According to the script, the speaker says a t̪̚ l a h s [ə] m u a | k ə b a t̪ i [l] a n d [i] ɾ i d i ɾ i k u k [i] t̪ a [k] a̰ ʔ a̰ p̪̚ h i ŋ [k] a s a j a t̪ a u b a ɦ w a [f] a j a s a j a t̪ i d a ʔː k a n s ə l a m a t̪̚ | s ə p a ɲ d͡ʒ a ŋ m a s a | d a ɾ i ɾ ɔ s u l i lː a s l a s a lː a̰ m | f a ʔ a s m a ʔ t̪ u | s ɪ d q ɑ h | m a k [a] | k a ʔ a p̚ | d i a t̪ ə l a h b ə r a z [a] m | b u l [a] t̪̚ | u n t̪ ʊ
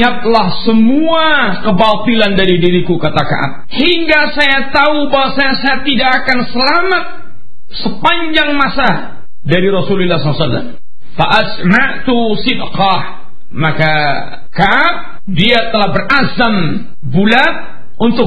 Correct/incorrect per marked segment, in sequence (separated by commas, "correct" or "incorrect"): correct, correct, incorrect, incorrect, correct, incorrect, incorrect, correct, correct, correct